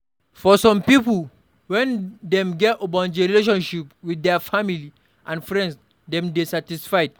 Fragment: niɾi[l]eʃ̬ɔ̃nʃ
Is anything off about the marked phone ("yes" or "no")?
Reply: no